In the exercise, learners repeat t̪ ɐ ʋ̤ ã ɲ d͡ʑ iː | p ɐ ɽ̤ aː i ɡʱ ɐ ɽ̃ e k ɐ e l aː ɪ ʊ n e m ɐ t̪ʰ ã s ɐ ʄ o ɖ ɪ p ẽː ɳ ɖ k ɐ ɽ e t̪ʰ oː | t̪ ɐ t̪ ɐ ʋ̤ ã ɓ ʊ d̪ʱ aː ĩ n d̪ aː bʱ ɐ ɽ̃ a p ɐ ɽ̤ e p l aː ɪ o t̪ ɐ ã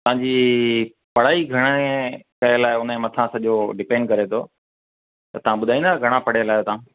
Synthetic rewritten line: t̪ ɐ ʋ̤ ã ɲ d͡ʑ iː | p ɐ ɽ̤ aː i ɡʱ ɐ ɽ̃ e k ɐ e l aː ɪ ʊ n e m ɐ t̪ʰ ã s ɐ ʄ o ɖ ɪ p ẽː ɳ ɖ k ɐ ɾ e t̪ʰ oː | t̪ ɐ t̪ ɐ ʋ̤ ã ɓ ʊ d̪ʱ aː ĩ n d̪ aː ɡʱ ɐ ɽ̃ a p ɐ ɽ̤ e l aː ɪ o t̪ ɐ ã